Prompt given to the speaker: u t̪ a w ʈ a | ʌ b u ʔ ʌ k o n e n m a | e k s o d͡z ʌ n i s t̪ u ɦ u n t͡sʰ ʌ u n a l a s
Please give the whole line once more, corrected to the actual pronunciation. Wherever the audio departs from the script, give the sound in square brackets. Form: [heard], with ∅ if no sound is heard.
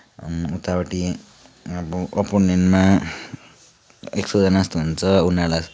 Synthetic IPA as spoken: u t̪ a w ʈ [i] | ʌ b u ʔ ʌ [p] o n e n m a | e k s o d͡z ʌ n [a] s t̪ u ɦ u n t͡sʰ ʌ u n a l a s